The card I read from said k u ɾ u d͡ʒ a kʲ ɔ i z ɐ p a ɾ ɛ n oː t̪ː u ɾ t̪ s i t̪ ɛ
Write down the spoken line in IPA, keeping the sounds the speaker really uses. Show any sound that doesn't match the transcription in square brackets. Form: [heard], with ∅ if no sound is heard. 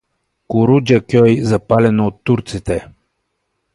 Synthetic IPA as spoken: k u ɾ u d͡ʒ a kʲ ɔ [j] z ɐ p a [l] ɛ n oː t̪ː u ɾ t̪ s i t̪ ɛ